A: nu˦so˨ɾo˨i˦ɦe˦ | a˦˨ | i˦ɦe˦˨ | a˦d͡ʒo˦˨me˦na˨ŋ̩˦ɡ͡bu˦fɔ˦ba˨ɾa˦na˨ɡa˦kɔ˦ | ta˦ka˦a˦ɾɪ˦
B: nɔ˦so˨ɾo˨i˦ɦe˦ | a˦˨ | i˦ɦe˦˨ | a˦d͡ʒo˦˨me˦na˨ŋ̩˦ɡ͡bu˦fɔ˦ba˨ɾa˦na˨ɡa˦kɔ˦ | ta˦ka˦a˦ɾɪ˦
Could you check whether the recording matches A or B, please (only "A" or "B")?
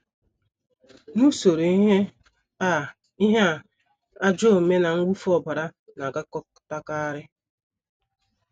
A